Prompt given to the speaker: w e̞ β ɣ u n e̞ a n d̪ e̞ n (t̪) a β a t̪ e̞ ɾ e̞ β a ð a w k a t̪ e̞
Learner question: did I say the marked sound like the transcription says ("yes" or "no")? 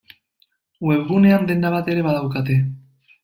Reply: no